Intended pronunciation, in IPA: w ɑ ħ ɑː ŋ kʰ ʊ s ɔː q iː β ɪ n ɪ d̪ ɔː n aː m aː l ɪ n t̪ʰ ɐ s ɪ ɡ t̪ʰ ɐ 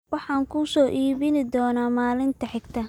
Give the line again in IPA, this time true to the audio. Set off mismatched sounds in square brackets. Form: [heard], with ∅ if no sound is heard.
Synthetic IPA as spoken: w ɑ ħ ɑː ŋ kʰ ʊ s ɔː [ʔ] iː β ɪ n ɪ d̪ ɔː n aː m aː l ɪ n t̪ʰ ɐ [ħ] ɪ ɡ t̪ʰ ɐ